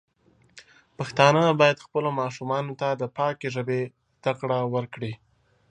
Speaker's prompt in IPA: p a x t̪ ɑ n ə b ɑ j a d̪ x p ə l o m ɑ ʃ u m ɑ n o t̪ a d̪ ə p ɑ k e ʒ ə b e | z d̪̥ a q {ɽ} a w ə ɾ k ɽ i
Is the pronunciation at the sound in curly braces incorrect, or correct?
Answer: correct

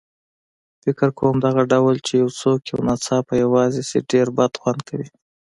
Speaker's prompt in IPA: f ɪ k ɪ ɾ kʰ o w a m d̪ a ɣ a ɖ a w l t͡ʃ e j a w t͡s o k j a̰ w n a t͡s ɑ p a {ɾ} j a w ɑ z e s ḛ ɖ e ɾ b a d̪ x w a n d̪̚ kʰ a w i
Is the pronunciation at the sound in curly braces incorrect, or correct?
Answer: incorrect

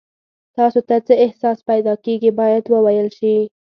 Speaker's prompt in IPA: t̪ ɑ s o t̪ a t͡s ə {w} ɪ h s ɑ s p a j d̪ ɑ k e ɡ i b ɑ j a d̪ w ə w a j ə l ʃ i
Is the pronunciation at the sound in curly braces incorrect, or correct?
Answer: incorrect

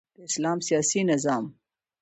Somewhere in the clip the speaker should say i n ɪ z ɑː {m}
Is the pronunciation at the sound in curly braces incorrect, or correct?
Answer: correct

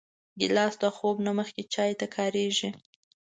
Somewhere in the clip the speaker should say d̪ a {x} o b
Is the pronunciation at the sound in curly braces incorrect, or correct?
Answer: correct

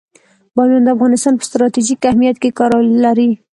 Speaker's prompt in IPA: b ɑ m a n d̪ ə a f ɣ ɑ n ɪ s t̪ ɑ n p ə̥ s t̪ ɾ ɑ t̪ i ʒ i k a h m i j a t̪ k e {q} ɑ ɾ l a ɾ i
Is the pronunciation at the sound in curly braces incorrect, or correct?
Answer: incorrect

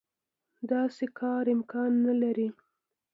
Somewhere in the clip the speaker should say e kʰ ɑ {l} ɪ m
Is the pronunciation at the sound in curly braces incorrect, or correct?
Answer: incorrect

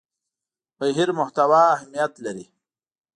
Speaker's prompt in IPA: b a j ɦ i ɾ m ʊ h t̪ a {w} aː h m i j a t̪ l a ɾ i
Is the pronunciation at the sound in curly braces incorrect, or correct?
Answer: correct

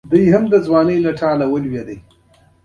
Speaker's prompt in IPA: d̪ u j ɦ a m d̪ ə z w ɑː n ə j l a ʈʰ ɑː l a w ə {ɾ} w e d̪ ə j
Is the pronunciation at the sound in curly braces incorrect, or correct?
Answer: incorrect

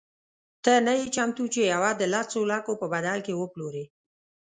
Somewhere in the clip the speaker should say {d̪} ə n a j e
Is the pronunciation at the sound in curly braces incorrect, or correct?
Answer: incorrect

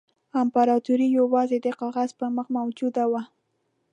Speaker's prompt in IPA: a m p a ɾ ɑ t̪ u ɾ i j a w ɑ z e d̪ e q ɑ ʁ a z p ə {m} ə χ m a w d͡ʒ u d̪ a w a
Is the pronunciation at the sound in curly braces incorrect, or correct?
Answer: correct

